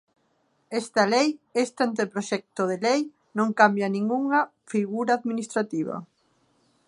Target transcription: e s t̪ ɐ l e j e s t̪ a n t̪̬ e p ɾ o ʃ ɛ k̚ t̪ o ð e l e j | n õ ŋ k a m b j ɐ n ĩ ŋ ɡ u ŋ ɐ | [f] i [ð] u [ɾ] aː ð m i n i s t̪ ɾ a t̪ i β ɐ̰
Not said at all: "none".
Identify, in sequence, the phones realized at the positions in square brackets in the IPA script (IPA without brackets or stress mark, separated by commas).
f, ɣ, ɾ